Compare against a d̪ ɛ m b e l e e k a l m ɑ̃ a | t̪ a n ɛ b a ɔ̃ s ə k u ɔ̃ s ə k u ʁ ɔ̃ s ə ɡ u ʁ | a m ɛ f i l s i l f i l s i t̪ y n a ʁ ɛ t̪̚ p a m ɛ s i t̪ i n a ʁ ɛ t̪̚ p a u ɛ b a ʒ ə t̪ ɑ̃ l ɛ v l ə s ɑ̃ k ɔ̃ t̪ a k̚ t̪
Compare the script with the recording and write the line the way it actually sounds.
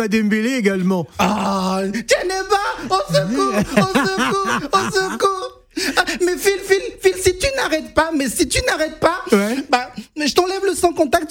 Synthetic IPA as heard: a d̪ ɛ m b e l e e ɡ a l m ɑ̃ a | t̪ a n ɛ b a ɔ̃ s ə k u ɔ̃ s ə k u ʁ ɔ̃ s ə k u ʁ | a m ɛ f i l f i l f i l s i t̪ y n a ʁ ɛ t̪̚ p a m ɛ s i t̪ y n a ʁ ɛ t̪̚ p a w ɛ b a ʒ ə t̪ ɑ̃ l ɛ v l ə s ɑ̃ k ɔ̃ t̪ a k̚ t̪